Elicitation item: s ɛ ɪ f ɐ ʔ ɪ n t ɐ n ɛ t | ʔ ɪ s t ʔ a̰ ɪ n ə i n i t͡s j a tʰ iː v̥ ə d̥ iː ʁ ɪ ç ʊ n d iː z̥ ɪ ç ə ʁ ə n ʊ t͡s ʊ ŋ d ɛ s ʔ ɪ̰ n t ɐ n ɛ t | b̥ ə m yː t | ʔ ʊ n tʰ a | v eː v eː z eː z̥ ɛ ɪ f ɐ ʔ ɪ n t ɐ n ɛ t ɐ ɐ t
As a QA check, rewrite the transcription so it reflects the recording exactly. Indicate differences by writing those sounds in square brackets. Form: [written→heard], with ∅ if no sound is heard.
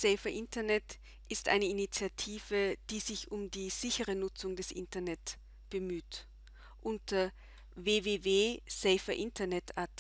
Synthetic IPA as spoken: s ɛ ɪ f ɐ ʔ ɪ n t ɐ n ɛ t | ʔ ɪ s t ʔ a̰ ɪ n ə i n i t͡s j a tʰ iː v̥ ə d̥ iː [ʁ→z] ɪ ç ʊ [n→m] d iː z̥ ɪ ç ə ʁ ə n ʊ t͡s ʊ ŋ d ɛ s ʔ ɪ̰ n t ɐ n ɛ t | b̥ ə m yː t | ʔ ʊ n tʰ [a→ɐ] | v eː v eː [z→v] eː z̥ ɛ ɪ f ɐ ʔ ɪ n t ɐ n ɛ t [ɐ→a] ɐ t